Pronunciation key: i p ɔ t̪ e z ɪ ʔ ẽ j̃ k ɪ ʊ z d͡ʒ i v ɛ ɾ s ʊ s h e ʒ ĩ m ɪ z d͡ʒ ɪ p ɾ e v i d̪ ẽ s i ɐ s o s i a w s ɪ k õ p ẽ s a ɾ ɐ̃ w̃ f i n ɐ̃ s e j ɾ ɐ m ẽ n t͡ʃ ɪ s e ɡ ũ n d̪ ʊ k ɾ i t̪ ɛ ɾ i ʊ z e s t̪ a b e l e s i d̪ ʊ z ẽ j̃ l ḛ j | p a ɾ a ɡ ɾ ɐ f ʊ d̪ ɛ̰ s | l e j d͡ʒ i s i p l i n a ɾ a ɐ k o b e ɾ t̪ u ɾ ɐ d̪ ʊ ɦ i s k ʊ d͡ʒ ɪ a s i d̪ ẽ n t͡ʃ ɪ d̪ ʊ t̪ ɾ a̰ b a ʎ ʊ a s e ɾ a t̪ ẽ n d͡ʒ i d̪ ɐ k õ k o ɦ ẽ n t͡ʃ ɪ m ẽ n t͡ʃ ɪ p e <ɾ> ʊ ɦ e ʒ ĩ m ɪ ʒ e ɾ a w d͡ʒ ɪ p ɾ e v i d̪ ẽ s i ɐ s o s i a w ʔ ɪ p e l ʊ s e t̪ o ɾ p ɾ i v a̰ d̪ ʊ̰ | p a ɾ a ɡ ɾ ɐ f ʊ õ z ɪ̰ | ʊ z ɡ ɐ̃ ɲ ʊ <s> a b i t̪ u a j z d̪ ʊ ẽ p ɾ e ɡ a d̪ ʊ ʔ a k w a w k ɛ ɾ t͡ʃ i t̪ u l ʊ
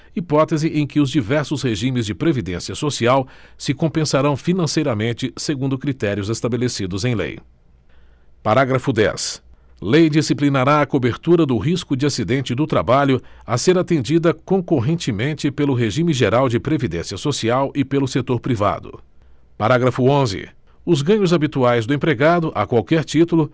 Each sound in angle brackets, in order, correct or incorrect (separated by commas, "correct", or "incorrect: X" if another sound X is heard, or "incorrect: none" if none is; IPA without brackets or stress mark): incorrect: l, incorrect: z